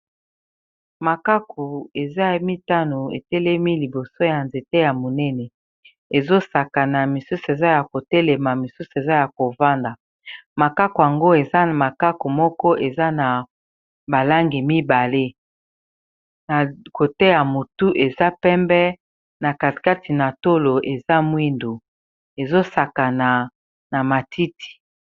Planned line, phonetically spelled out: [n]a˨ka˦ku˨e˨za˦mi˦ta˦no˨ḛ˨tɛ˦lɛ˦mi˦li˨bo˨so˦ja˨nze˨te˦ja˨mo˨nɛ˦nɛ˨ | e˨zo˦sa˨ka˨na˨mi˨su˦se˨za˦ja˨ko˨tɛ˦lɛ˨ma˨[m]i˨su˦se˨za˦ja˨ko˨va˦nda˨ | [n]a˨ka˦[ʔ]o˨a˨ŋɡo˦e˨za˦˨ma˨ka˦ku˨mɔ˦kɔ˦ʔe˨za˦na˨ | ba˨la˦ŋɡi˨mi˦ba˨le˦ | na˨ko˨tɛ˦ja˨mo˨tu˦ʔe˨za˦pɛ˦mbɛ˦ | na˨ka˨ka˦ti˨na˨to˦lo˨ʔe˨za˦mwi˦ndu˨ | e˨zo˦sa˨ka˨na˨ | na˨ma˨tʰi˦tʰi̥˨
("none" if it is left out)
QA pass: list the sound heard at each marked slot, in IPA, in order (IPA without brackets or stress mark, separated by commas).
m, m, m, k